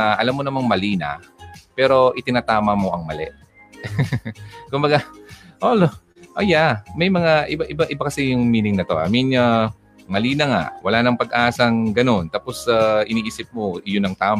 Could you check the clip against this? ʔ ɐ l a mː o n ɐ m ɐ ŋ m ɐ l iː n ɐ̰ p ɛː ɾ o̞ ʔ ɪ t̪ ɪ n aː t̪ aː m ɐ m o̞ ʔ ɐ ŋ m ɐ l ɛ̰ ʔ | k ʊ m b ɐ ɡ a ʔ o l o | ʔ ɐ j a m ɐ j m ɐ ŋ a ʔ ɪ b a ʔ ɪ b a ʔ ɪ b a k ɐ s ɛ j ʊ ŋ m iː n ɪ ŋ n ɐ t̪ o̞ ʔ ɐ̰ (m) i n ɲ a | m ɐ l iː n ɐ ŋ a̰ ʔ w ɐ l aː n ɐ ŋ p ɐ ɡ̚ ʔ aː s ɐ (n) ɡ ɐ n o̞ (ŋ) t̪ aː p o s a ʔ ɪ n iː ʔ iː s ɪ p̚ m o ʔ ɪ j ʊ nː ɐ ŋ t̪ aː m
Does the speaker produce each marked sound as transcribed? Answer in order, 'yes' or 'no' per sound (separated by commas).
yes, no, no